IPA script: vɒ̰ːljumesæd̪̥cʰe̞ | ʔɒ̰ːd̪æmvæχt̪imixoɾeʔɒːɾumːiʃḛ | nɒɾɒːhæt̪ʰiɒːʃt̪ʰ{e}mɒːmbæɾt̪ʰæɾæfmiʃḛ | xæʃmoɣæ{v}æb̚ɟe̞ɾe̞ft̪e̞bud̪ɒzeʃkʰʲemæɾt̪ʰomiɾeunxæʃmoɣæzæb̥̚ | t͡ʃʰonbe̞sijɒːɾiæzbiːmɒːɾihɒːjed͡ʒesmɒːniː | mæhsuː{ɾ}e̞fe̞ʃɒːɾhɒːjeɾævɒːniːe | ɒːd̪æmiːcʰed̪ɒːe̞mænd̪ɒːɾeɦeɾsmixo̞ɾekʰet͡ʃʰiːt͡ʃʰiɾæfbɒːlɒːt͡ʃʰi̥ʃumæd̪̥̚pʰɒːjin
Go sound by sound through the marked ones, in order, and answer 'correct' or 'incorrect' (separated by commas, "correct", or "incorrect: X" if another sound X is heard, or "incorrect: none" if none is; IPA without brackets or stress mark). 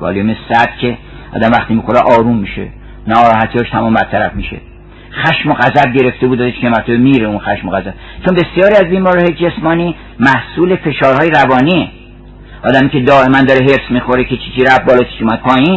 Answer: incorrect: æ, incorrect: z, incorrect: l